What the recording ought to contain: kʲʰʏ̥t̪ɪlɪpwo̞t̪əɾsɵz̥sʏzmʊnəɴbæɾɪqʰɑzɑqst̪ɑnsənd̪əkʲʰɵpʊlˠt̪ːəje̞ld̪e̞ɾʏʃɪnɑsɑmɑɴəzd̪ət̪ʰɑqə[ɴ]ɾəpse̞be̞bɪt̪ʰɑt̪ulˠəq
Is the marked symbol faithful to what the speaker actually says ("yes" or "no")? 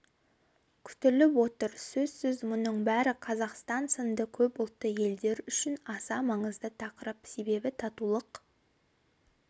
no